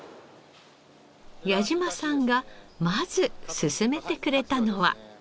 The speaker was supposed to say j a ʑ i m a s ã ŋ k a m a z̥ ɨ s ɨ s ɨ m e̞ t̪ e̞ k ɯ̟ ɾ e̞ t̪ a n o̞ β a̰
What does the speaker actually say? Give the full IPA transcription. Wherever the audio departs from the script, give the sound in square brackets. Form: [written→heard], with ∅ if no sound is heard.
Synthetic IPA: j a ʑ i m a s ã ŋ [k→ɡ] a m a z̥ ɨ s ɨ s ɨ m e̞ t̪ e̞ k ɯ̟ ɾ e̞ t̪ a n o̞ β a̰